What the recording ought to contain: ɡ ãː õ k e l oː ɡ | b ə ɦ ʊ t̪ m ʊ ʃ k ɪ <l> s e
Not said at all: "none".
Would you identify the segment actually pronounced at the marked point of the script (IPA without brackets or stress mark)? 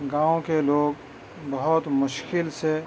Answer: l